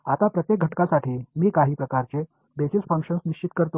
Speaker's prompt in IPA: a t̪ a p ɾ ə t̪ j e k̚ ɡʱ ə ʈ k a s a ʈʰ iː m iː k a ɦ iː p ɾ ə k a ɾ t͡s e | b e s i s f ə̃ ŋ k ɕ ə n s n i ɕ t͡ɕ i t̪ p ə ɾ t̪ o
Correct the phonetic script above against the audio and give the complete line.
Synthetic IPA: a t̪ a p ɾ ə t̪ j e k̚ ɡʱ ə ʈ k a s a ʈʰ iː m iː k a ɦ iː p ɾ ə k a ɾ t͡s e | b e s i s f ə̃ ŋ k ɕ ə n s n i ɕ t͡ɕ i t̪ k ə ɾ t̪ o

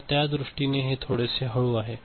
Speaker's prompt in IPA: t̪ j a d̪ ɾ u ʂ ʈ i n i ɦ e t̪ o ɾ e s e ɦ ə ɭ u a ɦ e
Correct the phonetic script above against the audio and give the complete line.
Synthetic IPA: t̪ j a d̪ ɾ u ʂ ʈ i n e ɦ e t̪ʰ o ɽ e s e ɦ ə ɭ u a ɦ e

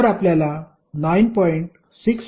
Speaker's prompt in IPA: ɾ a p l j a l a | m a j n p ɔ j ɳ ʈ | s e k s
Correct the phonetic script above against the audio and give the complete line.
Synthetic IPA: ɾ a p l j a l a | n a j n p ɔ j ɳ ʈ | s i k s

